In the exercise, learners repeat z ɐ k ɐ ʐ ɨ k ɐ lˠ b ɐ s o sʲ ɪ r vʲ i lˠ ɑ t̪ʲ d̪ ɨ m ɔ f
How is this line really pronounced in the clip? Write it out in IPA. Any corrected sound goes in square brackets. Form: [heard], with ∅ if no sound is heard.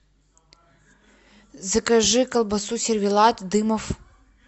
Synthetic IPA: z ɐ k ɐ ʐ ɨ k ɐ lˠ b ɐ s [u] sʲ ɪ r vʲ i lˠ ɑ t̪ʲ d̪ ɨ m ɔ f

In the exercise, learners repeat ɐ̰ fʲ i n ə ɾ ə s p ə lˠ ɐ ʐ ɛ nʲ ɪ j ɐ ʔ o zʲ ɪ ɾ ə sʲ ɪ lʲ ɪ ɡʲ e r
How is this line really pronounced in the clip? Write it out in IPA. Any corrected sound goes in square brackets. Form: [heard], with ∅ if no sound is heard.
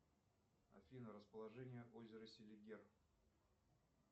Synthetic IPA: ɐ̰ fʲ i n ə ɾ ə s p ə lˠ ɐ ʐ ɛ nʲ ɪ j [ə] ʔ o zʲ ɪ ɾ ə sʲ ɪ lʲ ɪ ɡʲ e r

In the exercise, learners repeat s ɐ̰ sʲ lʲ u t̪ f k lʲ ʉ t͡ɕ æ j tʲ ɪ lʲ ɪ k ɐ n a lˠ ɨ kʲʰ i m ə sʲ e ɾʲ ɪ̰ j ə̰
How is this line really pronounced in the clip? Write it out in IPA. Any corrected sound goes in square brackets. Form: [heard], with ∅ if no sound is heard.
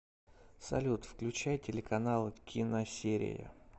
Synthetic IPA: s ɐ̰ [∅] lʲ u t̪ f k lʲ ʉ t͡ɕ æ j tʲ ɪ lʲ ɪ k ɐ n a lˠ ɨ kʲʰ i [n] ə sʲ e ɾʲ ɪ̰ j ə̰

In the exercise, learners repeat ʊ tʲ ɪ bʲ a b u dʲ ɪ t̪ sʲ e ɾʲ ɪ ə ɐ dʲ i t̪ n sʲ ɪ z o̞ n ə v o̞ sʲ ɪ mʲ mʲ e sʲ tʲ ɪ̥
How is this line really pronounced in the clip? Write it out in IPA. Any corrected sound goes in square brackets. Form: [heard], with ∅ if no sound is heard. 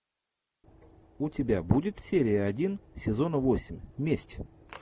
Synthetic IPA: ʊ tʲ ɪ bʲ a b u dʲ ɪ t̪ sʲ e ɾʲ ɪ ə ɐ dʲ i [∅] n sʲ ɪ z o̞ n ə v o̞ sʲ ɪ mʲ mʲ e sʲ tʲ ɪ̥

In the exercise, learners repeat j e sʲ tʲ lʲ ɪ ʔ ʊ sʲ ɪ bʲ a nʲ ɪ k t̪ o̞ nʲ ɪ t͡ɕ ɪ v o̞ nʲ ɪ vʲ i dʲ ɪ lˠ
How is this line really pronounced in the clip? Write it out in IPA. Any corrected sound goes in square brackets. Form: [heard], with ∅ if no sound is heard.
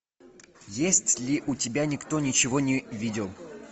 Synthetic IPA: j e sʲ tʲ lʲ ɪ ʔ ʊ [tʲ] ɪ bʲ a nʲ ɪ k t̪ o̞ nʲ ɪ t͡ɕ ɪ v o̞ nʲ ɪ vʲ i dʲ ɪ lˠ

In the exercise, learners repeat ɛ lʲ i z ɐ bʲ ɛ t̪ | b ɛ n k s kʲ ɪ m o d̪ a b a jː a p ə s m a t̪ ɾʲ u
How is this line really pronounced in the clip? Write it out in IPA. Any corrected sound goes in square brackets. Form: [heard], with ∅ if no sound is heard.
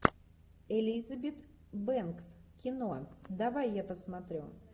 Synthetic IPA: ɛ lʲ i z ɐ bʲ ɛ t̪ | b ɛ n k s kʲ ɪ [n] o d̪ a [v] a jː a p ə s m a t̪ ɾʲ u

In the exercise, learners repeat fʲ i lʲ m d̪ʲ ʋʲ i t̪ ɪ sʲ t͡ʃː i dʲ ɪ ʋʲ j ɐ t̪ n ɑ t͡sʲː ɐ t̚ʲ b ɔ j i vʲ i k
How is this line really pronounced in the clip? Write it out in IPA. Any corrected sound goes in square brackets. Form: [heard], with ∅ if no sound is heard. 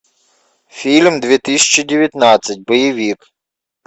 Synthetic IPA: fʲ i lʲ m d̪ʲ ʋʲ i t̪ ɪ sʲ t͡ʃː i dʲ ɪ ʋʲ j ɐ t̪ n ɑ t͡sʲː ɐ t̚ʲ b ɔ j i [ʋʲ] i k

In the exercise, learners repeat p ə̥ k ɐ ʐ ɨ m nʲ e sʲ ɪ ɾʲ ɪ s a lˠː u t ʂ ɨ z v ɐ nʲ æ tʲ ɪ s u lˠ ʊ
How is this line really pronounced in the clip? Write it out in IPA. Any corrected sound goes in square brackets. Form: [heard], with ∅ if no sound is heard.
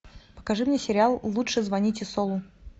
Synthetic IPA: p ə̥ k ɐ ʐ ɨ m nʲ e sʲ ɪ ɾʲ ɪ [∅] a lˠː u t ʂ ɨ z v ɐ nʲ [i] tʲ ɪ s [o] lˠ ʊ

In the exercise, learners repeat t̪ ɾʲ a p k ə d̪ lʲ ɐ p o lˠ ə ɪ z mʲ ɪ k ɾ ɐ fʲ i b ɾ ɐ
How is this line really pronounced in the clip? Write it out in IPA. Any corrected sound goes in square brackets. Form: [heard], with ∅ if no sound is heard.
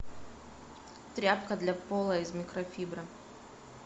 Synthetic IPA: t̪ ɾʲ a p k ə d̪ lʲ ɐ p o lˠ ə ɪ z mʲ ɪ k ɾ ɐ fʲ i b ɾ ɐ

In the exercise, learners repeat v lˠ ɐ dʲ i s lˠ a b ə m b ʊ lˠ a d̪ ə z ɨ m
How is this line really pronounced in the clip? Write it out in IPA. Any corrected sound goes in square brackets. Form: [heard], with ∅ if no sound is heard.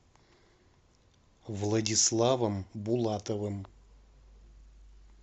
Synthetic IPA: v lˠ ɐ dʲ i s lˠ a [v] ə m b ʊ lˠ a [t̪] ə [v] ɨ m

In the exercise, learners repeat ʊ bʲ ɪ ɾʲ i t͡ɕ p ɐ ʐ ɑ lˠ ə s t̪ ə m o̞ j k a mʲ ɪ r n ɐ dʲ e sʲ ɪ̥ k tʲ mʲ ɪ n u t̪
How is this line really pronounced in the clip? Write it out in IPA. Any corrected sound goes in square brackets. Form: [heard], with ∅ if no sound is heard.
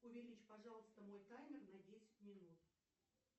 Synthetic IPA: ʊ [vʲ] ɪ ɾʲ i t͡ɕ p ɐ ʐ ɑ lˠ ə s t̪ ə m o̞ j k a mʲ ɪ r n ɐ dʲ e sʲ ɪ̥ [∅] tʲ mʲ ɪ n u t̪

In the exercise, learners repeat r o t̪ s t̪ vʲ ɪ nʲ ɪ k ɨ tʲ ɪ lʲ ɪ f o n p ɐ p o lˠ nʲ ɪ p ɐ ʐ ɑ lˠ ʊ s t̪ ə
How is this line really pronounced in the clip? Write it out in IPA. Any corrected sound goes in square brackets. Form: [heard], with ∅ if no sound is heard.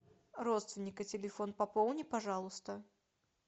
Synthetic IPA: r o t̪ s t̪ vʲ ɪ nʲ ɪ k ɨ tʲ ɪ lʲ ɪ f o n p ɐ p o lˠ nʲ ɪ p ɐ ʐ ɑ lˠ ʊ s t̪ ə

